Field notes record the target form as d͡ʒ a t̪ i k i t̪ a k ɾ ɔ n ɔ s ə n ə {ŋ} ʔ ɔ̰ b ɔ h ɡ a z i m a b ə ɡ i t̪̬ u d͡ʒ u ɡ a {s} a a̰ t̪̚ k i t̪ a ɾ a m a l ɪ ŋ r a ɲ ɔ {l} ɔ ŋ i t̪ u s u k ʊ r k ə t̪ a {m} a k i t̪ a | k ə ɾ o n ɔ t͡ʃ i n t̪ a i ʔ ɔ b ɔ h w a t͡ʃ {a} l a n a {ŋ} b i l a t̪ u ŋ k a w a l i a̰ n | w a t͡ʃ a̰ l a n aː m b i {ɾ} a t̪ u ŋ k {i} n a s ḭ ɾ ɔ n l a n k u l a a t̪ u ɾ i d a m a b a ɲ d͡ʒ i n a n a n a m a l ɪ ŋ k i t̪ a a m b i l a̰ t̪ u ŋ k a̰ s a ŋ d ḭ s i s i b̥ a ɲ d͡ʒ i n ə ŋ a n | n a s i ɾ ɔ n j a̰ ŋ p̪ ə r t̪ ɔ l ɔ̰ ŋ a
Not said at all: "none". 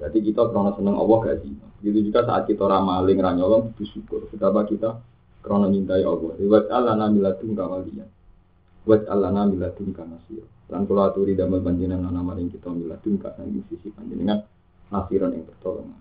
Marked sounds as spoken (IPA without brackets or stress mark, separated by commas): ŋ, s, l, b, a, m, l, a